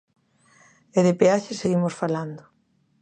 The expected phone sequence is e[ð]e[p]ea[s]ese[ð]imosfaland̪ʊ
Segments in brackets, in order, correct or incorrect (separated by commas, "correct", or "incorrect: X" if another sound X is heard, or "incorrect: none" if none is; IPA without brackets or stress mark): correct, correct, incorrect: ʃ, incorrect: ɣ